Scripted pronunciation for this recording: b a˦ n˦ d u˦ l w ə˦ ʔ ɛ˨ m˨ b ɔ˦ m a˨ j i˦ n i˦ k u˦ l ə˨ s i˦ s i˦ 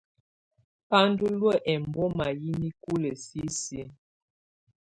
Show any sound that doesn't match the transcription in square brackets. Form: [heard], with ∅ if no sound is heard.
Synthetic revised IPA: [p] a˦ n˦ d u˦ l w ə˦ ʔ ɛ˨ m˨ b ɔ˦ m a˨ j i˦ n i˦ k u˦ l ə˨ s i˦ s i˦